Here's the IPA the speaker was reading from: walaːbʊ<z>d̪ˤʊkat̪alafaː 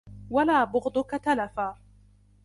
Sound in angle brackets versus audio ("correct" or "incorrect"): incorrect